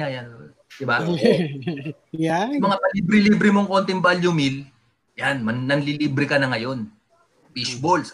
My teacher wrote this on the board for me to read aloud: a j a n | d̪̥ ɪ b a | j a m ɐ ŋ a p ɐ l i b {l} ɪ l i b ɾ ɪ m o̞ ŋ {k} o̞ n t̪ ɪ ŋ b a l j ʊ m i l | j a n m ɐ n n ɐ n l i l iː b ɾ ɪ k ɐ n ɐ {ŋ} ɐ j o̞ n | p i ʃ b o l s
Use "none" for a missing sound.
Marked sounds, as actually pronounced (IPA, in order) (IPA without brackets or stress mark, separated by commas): ɾ, k, ŋ